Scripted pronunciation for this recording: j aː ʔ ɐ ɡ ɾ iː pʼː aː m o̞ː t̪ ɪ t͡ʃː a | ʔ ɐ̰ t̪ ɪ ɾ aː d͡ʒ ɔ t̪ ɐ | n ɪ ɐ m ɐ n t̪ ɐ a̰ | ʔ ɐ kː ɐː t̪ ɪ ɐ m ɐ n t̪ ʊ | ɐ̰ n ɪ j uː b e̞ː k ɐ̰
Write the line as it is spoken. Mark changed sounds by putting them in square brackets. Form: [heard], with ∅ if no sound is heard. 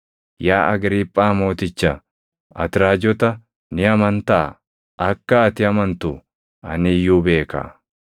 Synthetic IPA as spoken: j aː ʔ ɐ ɡ ɾ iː pʼː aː m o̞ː t̪ ɪ t͡ʃː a | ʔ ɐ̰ t̪ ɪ ɾ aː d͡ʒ ɔ t̪ ɐ | n ɪ ɐ m ɐ n t̪ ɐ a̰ | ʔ ɐ kː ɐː t̪ ɪ ɐ m ɐ n t̪ ʊ | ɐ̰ n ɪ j uː b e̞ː k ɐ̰